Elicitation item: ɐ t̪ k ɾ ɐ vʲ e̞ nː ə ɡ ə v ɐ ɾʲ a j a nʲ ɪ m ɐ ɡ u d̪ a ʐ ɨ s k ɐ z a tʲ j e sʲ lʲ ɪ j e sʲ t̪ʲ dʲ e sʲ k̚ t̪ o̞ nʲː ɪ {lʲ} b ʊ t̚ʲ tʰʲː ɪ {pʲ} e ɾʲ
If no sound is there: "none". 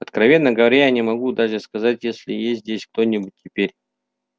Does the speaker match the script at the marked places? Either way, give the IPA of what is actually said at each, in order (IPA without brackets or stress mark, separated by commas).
none, pʲ